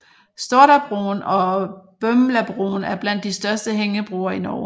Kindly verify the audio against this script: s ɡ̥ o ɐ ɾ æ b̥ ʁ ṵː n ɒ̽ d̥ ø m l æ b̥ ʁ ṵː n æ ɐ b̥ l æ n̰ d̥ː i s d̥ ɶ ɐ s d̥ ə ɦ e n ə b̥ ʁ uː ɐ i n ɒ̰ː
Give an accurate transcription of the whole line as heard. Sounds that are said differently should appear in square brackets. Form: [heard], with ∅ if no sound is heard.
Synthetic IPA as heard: s [d̥] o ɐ ɾ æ b̥ ʁ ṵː n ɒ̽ [b̥] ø m l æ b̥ ʁ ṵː n æ ɐ b̥ l æ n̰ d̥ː i s d̥ ɶ ɐ s d̥ ə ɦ e [ŋ] ə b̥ ʁ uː ɐ i n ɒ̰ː

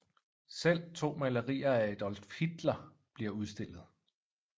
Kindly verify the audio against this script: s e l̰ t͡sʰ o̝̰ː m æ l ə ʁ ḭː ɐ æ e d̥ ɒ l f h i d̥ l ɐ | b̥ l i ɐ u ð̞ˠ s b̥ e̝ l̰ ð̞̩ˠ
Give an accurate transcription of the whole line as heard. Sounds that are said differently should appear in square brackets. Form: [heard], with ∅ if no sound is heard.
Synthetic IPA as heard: s e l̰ t͡sʰ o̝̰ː m æ l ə ʁ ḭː ɐ æ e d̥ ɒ l f h i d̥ l ɐ | b̥ l i ɐ u ð̞ˠ s [d̥] e̝ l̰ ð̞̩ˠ

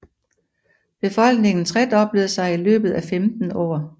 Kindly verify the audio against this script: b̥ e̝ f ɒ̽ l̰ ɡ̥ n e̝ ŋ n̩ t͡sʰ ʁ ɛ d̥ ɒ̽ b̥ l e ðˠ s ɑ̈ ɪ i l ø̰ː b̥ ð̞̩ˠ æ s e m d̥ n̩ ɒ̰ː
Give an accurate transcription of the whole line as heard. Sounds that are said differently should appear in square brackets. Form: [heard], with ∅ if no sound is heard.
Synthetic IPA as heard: b̥ e̝ f ɒ̽ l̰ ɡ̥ n e̝ ŋ n̩ t͡sʰ ʁ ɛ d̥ ɒ̽ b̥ l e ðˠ s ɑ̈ ɪ i l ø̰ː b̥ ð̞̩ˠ æ [f] e m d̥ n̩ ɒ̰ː

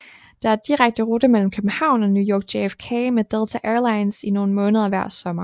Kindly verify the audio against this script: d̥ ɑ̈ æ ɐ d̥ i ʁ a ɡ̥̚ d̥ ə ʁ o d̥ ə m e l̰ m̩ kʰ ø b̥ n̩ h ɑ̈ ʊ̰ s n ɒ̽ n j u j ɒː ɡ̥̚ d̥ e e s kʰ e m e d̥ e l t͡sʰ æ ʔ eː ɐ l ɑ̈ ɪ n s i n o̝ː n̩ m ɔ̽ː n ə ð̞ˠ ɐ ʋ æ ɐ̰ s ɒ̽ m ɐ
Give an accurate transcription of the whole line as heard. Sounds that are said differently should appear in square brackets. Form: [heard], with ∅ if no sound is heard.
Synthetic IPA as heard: d̥ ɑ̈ æ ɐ d̥ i ʁ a ɡ̥̚ d̥ ə ʁ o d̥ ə m e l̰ m̩ kʰ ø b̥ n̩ h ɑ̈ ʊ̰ [∅] n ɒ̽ n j u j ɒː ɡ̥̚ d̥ e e [f] kʰ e m e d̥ e l t͡sʰ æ ʔ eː ɐ l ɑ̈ ɪ n s i n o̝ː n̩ m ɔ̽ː n ə ð̞ˠ ɐ ʋ æ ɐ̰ s ɒ̽ m ɐ

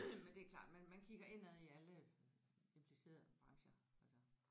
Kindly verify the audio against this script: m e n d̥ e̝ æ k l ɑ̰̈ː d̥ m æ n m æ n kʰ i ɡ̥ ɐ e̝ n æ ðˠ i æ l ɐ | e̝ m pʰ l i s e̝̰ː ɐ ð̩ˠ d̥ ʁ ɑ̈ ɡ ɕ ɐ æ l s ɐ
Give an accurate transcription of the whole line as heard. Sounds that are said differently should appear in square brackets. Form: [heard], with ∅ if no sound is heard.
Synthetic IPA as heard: m e n d̥ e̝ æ k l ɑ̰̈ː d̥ m æ n m æ n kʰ i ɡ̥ ɐ e̝ n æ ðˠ i æ l [ə] | e̝ m pʰ l i s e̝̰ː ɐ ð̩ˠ [b̥] ʁ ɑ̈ [ŋ] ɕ ɐ æ l s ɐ

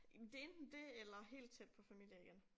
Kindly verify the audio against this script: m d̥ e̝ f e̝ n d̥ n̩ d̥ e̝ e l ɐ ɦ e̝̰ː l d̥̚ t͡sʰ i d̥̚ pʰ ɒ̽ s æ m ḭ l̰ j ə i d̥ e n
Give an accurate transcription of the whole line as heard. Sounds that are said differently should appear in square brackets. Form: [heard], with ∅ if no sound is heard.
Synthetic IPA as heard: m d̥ e̝ [∅] e̝ n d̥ n̩ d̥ e̝ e l ɐ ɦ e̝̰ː l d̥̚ t͡sʰ [e] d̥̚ pʰ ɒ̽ [f] æ m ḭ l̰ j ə i [ɡ̥] e n

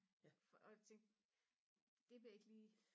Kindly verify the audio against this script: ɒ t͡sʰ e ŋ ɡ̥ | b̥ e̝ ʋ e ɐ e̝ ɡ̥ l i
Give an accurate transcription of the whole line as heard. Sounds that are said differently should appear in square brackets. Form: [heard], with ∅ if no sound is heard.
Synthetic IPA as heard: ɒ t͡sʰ e ŋ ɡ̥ | [d̥] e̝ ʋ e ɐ e̝ ɡ̥ l [iː]

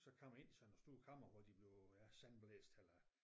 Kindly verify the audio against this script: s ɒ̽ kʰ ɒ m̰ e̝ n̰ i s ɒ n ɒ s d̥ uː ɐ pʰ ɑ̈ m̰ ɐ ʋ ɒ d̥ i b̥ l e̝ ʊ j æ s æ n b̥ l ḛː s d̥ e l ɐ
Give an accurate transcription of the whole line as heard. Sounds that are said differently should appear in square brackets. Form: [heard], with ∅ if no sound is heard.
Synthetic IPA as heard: s ɒ̽ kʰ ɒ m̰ e̝ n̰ i s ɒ n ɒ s d̥ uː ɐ [kʰ] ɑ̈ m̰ ɐ ʋ ɒ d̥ i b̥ l e̝ ʊ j æ s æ n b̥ l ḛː s d̥ e l ɐ

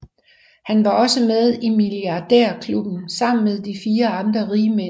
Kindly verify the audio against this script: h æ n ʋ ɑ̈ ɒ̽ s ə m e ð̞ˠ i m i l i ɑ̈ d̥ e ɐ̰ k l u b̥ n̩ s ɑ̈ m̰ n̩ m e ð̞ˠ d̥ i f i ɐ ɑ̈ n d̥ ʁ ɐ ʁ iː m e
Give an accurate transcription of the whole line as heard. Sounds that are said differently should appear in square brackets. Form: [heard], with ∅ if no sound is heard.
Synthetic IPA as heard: h æ n ʋ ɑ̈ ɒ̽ s ə m e ð̞ˠ i m i l i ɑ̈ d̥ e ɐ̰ [kʰ] l u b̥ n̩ s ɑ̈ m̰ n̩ m e ð̞ˠ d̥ i f [iː] ɐ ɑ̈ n d̥ ʁ ɐ ʁ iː m e

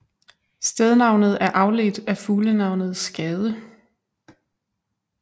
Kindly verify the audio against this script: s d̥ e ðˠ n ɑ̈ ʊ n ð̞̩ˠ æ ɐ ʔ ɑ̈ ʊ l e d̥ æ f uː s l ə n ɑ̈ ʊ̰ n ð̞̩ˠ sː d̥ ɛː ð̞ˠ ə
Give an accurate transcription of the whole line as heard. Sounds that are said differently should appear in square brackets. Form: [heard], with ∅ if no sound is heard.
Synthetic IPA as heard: s d̥ e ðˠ n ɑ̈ ʊ n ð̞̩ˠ æ ɐ ʔ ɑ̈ ʊ l e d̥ æ f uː [∅] l ə n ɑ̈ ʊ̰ n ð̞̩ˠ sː [ɡ̥] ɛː ð̞ˠ ə

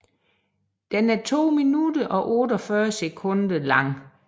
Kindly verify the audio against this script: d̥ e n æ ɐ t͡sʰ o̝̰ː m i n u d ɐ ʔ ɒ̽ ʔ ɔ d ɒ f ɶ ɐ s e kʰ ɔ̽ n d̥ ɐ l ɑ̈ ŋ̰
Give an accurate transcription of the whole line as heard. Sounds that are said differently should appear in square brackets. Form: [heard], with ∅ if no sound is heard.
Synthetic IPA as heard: d̥ e n æ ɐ t͡sʰ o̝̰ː m i n u d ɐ ʔ ɒ̽ ʔ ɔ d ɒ f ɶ ɐ s e kʰ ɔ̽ n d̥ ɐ l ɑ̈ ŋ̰

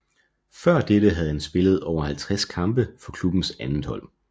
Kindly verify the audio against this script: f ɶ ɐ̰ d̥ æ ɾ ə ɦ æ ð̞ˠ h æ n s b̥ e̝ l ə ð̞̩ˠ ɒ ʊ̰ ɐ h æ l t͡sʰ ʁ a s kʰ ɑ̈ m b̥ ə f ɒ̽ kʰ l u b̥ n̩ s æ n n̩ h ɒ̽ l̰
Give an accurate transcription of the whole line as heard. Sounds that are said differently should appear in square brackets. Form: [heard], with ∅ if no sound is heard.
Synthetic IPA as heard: f ɶ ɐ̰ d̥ [e] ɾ ə ɦ æ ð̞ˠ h æ n s b̥ e̝ l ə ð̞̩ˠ ɒ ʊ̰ ɐ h æ l t͡sʰ ʁ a s kʰ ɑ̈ m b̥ ə f ɒ̽ kʰ l u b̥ n̩ s æ n n̩ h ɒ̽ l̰

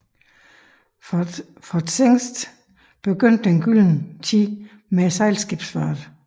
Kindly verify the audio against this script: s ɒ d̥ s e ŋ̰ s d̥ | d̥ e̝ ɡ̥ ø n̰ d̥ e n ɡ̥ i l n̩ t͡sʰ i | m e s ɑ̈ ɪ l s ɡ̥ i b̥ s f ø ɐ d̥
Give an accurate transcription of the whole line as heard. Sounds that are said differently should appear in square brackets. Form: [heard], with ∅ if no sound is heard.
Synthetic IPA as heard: [f] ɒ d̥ s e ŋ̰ s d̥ | [b̥] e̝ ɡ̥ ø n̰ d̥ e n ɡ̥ [y] l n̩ t͡sʰ i | m e s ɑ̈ ɪ l s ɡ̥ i b̥ s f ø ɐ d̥

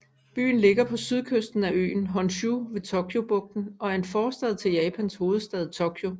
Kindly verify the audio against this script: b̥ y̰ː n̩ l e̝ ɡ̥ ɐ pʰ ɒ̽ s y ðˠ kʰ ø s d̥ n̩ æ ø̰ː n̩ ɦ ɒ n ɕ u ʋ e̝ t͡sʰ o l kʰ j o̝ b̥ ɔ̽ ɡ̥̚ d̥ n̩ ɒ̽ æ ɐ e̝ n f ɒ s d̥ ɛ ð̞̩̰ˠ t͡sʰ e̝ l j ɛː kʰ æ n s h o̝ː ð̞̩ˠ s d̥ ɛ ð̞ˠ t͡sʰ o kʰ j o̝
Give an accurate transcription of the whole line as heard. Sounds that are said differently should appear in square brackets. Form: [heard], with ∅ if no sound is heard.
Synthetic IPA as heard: b̥ y̰ː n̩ l e̝ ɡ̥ ɐ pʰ ɒ̽ s y ðˠ kʰ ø s d̥ n̩ æ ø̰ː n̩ ɦ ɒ n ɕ u ʋ e̝ t͡sʰ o [∅] kʰ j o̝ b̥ ɔ̽ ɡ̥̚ d̥ n̩ ɒ̽ æ ɐ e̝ n f [ɒː] s d̥ ɛ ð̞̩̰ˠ t͡sʰ e̝ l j ɛː [pʰ] æ n s h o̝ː ð̞̩ˠ s d̥ ɛ ð̞ˠ t͡sʰ o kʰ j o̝

